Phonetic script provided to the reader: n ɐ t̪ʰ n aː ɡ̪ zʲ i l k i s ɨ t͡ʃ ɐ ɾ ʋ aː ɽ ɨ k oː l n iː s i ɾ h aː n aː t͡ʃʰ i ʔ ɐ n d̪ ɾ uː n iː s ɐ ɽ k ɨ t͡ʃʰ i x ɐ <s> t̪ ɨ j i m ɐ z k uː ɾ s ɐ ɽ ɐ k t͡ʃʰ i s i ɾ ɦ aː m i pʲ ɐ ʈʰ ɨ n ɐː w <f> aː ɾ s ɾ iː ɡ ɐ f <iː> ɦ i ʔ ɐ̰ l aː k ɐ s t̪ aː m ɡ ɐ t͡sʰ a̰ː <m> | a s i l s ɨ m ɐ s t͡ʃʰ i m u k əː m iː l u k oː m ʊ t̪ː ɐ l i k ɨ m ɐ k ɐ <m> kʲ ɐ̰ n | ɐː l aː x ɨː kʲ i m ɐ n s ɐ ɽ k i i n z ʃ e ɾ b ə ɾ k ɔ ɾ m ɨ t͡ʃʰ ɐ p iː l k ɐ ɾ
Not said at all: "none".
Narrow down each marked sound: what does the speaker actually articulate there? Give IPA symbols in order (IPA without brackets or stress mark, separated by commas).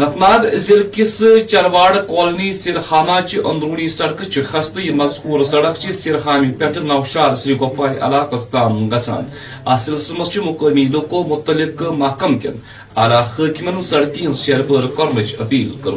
s, ʃ, aː, n, m